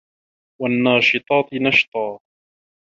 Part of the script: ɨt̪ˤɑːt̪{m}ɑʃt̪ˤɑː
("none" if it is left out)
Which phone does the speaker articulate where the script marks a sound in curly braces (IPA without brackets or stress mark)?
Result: n